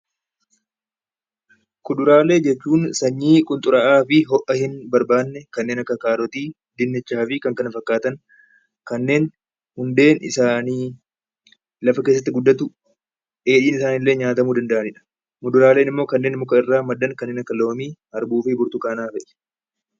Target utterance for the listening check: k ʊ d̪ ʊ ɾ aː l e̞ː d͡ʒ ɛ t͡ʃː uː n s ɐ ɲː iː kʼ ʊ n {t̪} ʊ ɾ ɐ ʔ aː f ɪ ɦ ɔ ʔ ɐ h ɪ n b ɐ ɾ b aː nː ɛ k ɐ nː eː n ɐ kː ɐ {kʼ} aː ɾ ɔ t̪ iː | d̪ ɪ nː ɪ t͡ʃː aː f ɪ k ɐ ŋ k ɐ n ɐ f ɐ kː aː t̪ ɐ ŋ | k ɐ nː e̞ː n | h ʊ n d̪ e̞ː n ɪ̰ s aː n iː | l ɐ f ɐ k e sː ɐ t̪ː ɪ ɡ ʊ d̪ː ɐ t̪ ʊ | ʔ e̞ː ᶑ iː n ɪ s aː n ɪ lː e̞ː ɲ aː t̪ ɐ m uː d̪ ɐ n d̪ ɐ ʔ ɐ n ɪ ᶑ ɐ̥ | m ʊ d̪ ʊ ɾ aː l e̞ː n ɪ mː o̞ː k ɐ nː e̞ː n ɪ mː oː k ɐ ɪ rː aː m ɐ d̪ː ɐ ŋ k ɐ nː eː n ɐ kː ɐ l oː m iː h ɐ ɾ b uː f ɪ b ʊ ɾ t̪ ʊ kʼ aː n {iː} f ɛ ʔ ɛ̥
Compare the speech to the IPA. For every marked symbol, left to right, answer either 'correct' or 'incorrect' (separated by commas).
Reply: incorrect, incorrect, incorrect